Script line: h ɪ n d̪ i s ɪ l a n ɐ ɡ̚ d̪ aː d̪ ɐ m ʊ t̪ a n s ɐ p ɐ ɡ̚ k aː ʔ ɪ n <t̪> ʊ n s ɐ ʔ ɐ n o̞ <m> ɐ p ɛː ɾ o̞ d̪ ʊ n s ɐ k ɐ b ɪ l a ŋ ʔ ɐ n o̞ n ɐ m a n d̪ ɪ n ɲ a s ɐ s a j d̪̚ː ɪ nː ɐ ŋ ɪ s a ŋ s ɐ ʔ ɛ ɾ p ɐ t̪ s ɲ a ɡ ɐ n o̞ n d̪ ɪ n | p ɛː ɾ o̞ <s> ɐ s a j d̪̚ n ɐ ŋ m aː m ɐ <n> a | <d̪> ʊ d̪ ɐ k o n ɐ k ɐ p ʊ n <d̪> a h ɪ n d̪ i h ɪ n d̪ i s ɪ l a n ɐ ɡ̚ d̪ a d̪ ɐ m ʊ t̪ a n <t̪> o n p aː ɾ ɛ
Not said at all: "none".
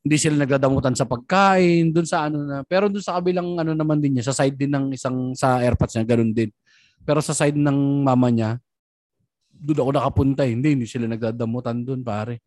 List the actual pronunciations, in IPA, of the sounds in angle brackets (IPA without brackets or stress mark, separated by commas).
d̪, n, s, ɲ, d̪, t̪, d̪